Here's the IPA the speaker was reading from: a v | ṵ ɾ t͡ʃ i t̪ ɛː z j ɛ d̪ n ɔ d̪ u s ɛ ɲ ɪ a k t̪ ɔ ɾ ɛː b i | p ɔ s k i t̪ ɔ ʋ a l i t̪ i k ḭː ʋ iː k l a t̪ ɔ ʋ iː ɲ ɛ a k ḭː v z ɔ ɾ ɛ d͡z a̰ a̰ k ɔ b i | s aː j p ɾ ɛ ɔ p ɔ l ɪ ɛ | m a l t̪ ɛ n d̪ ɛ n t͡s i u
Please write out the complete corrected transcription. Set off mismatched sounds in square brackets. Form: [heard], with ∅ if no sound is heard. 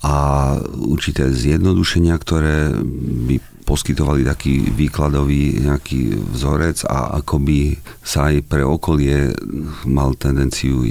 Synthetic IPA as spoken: a [∅] | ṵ ɾ t͡ʃ i t̪ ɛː z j ɛ d̪ n ɔ d̪ u [ʃ] ɛ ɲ ɪ a k t̪ ɔ ɾ ɛː b i | p ɔ s k i t̪ ɔ ʋ a l i t̪ [a] k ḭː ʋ iː k l a [d̪] ɔ ʋ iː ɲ ɛ a k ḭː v z ɔ ɾ ɛ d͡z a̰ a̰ k ɔ b i | s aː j p ɾ ɛ ɔ [k] ɔ l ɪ ɛ | m a l t̪ ɛ n d̪ ɛ n t͡s i u